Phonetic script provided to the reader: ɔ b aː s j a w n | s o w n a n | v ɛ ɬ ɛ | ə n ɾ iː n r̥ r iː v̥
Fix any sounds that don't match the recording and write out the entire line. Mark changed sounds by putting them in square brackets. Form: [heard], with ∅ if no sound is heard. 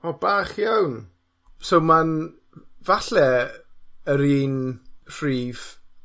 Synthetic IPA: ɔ b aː [χ] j a w n | s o w [m] a n | v [a] ɬ ɛ | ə [∅] ɾ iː n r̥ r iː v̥